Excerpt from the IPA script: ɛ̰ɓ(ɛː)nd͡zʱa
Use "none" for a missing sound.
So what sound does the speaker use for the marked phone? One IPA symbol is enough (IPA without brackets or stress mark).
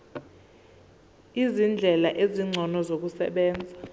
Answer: ɛː